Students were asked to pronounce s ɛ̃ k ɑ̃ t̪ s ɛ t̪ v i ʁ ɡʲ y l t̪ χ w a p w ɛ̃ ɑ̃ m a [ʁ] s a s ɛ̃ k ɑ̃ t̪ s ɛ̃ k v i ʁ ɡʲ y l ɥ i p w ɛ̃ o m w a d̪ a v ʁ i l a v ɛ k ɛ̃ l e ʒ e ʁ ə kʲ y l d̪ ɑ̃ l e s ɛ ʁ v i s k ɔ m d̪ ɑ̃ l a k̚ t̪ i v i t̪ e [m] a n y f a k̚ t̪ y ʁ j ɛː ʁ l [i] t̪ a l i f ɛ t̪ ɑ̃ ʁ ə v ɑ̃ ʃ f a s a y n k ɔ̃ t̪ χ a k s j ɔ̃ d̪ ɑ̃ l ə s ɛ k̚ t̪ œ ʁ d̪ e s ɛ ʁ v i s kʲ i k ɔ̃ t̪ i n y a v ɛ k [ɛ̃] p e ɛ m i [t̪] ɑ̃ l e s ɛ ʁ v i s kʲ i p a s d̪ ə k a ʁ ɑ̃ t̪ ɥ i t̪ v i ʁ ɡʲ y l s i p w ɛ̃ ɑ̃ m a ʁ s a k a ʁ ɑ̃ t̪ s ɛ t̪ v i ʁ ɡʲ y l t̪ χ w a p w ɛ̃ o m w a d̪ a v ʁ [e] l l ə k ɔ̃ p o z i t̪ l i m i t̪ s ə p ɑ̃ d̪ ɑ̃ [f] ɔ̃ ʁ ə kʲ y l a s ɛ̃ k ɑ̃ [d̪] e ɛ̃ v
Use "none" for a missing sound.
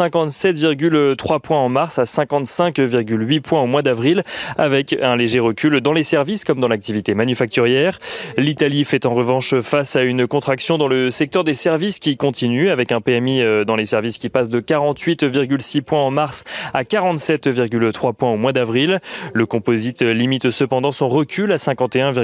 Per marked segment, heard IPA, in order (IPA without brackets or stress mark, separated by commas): ʁ, m, i, ɛ̃, d̪, i, s, t̪